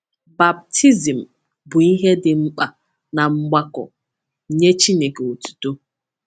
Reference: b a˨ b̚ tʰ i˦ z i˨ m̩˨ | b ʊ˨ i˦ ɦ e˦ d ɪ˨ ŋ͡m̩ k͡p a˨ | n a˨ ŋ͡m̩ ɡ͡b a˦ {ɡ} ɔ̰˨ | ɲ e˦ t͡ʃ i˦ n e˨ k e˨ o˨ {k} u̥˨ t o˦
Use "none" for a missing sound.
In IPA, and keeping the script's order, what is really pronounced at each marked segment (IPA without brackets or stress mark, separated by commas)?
k, t